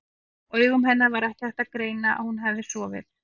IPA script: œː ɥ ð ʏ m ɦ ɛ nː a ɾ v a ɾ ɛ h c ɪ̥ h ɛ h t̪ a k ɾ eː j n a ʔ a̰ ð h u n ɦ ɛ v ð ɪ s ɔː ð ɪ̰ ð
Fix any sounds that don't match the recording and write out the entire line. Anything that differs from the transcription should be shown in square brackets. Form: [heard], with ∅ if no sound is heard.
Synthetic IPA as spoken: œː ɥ [ɣ] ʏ m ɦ ɛ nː a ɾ v a ɾ ɛ h c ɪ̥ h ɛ h t̪ a k ɾ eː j n a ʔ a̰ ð h u n ɦ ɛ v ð ɪ s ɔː [v] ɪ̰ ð